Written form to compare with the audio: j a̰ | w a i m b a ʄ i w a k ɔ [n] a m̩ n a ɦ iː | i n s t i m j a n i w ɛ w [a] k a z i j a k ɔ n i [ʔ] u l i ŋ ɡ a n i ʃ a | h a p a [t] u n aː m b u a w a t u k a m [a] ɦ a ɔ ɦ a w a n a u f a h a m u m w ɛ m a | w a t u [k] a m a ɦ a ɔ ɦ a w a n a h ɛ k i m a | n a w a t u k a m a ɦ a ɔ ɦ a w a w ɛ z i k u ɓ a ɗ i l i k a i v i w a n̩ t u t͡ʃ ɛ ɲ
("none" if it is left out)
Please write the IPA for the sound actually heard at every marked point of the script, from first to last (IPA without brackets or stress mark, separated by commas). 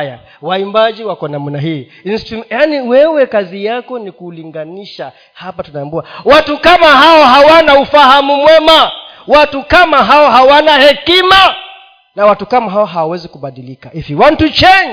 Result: n, ɛ, k, t, a, k